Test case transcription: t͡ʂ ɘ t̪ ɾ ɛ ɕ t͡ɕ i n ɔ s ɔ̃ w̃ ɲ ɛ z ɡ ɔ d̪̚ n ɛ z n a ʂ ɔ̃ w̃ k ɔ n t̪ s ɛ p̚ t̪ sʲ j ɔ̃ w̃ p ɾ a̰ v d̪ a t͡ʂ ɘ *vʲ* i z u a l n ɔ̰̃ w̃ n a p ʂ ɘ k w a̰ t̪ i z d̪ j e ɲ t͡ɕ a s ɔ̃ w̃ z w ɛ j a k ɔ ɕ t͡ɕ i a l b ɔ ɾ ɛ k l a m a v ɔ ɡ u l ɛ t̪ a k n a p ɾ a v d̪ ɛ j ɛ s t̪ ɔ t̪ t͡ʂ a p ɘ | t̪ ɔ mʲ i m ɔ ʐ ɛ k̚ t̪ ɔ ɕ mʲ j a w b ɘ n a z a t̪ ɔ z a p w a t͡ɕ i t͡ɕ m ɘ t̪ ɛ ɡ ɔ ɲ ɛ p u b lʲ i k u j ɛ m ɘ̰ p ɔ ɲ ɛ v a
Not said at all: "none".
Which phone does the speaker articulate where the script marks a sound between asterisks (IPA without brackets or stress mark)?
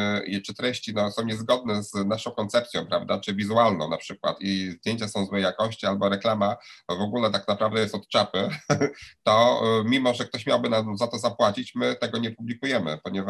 vʲ